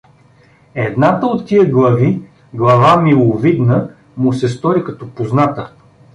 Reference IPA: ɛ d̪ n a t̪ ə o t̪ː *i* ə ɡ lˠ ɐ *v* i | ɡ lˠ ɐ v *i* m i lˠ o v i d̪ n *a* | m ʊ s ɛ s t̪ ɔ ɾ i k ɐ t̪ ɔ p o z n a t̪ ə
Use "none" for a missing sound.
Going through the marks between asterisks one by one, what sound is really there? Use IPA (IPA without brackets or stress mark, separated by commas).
i, v, a, ə